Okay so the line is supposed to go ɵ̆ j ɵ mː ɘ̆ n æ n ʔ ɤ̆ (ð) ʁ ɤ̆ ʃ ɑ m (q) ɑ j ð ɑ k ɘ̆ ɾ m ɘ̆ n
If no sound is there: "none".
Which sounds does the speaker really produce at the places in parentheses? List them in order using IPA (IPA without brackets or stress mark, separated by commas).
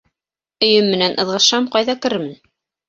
ð, q